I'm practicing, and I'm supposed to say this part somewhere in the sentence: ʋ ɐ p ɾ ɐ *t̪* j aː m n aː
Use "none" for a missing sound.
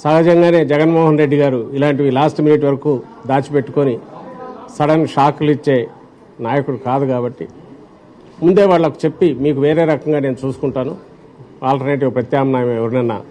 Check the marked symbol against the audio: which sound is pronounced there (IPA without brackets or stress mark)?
t̪